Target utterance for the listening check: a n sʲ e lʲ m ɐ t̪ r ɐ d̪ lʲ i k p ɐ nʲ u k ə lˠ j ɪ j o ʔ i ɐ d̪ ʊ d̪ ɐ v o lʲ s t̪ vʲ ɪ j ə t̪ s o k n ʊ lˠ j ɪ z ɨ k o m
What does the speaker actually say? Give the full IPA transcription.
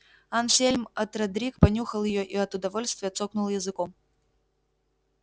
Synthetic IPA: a n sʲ e lʲ m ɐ t̪ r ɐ d̪ ɾʲ i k p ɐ nʲ u x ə lˠ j ɪ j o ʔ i ɐ t̪ ʊ d̪ ɐ v o lʲ s t̪ vʲ ɪ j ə t̪ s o k n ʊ lˠ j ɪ z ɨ k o m